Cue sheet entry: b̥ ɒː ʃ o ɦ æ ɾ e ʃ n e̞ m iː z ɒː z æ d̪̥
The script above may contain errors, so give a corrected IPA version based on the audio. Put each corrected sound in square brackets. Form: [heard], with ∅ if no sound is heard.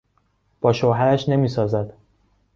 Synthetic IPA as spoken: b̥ ɒː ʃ o ɦ æ ɾ [æ] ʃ n e̞ m iː [s] ɒː z æ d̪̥